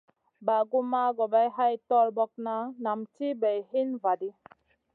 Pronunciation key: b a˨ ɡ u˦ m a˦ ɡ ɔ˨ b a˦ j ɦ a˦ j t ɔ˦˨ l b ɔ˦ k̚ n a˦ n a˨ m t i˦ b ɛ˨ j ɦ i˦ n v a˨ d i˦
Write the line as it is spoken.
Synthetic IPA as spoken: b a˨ ɡ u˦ m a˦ ɡ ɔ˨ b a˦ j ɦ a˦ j t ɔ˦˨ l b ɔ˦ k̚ n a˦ n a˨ m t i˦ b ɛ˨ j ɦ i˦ n v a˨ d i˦